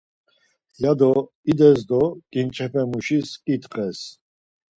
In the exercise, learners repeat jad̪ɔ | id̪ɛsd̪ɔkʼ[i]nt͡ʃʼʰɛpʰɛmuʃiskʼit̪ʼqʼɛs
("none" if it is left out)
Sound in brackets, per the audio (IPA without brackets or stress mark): i